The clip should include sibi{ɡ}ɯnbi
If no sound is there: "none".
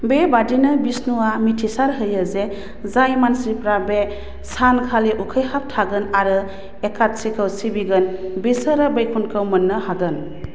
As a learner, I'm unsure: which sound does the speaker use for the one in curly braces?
ɡ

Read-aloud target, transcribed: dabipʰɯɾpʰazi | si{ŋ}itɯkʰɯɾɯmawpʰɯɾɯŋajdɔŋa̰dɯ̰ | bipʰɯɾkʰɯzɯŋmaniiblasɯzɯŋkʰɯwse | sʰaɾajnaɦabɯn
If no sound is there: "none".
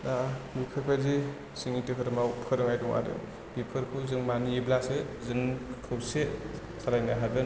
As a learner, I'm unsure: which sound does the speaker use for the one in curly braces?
ŋ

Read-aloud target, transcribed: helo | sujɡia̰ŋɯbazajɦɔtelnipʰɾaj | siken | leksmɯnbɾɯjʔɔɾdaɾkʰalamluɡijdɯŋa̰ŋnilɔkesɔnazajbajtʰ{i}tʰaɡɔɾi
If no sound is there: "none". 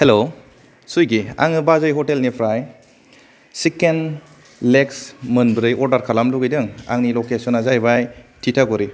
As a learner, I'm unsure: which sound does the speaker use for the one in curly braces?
i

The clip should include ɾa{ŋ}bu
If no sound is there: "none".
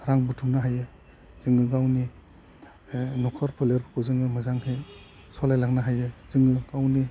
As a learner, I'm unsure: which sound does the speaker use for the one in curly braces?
ŋ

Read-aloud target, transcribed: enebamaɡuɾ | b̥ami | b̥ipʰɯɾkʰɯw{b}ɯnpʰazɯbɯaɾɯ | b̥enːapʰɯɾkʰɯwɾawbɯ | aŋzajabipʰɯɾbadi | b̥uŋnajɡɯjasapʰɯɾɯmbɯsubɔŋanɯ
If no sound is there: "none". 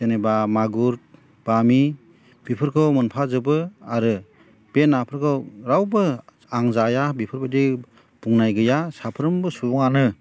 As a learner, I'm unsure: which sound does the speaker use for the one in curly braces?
m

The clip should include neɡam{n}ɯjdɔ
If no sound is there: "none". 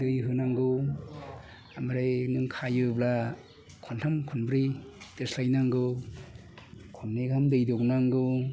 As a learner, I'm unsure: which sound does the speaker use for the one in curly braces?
d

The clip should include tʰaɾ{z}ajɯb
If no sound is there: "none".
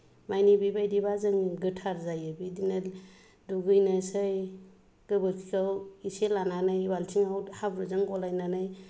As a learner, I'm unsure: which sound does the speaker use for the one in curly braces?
z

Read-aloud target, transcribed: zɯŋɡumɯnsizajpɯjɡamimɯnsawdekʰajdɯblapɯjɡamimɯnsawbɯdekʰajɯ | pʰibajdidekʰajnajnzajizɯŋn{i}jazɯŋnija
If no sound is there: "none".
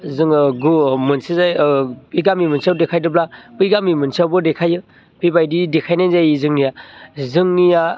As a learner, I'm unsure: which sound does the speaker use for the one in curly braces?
i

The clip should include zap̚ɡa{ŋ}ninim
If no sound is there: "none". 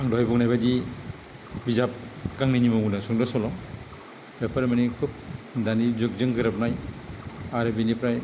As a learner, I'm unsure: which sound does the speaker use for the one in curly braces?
ŋ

